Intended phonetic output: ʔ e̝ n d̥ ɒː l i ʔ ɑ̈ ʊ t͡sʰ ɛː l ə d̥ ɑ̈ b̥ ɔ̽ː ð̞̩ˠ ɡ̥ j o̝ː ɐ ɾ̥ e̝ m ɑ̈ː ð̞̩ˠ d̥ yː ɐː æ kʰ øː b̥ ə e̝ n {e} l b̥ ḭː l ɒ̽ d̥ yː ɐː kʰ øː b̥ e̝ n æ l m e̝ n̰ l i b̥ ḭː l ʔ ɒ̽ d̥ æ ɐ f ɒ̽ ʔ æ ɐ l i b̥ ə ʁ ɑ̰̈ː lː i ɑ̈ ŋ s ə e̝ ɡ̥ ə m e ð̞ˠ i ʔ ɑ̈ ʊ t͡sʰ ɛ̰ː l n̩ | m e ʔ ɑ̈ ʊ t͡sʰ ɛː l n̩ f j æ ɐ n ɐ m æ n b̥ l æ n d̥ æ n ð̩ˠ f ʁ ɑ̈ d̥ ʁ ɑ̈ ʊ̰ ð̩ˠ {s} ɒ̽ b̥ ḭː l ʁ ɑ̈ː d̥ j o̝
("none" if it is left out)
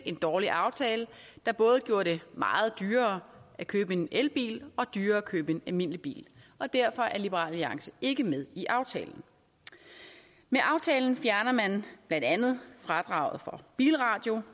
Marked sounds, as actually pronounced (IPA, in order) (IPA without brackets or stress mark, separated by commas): e, f